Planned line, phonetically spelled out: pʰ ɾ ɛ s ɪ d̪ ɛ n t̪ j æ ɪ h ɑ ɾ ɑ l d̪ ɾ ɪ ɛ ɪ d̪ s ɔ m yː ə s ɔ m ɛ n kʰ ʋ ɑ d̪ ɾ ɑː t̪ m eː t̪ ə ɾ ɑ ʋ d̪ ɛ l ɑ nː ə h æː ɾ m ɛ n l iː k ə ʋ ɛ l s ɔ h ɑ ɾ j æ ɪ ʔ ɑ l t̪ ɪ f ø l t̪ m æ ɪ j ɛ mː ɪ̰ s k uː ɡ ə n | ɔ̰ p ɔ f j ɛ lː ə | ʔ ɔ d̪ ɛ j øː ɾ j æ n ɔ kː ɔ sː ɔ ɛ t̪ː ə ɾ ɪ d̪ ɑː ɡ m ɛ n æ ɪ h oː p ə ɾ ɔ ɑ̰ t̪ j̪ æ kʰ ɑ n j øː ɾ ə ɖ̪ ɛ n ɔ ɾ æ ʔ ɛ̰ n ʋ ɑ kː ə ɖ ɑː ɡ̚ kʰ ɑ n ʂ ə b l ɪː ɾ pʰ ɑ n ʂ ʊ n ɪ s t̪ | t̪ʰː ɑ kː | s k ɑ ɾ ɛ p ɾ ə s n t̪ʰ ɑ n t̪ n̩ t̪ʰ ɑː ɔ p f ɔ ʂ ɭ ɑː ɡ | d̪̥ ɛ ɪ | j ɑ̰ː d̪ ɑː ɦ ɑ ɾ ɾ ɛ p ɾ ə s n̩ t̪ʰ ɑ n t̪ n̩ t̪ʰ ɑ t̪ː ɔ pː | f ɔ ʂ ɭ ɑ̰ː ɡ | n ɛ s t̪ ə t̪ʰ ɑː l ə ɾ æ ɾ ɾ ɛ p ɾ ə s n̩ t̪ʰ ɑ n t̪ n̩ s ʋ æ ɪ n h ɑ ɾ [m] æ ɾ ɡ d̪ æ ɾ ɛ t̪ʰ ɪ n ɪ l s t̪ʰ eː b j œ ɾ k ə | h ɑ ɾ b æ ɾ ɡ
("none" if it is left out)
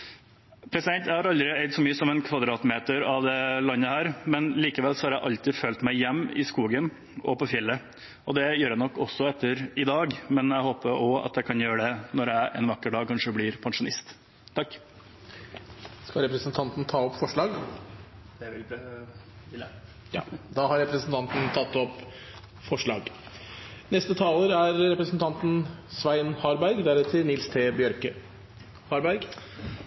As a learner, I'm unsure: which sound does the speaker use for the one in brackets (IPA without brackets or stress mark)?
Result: b